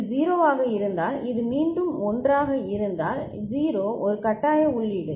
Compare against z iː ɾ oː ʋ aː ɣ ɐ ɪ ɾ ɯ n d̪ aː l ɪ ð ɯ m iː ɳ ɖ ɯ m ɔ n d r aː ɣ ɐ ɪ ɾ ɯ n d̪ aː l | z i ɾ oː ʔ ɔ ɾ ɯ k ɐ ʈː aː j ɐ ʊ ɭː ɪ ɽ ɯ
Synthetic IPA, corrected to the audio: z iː ɾ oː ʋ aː ɣ ɐ ɪ ɾ ɯ n d̪ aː l ɪ ð ɯ m iː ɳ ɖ ɯ m ɔ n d r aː ɣ ɐ ɪ ɾ ɯ n d̪ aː l | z iː ɾ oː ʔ ɔ ɾ ɯ k ɐ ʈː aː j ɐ ʊ ɭː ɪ ɽ ɯ